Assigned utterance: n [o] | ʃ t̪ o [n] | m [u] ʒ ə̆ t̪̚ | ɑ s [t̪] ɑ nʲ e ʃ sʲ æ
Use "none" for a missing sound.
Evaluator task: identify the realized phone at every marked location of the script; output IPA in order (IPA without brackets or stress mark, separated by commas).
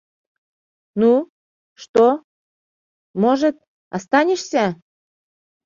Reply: u, none, o, t̪